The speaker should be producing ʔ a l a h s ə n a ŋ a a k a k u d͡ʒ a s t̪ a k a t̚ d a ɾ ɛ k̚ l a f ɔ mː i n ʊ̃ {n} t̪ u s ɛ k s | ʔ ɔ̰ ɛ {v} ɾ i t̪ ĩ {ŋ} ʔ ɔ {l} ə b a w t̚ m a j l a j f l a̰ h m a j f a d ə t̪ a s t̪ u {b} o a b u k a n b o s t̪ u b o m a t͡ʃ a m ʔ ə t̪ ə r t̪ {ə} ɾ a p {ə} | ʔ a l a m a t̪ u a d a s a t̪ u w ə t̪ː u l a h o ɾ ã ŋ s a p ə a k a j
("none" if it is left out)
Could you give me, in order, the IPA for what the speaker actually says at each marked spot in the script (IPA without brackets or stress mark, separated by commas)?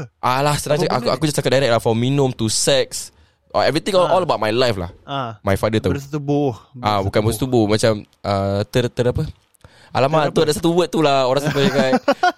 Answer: m, v, ŋ, l, b, ə, ə